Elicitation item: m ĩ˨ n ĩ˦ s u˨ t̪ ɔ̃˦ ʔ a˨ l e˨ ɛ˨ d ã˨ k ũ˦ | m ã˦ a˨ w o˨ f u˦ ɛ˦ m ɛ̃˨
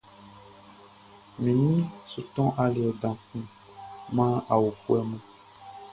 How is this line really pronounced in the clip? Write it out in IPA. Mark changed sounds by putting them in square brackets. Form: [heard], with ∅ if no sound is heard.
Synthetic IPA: m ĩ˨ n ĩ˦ s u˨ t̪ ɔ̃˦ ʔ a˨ l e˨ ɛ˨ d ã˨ k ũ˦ | m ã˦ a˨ w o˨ f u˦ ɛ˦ m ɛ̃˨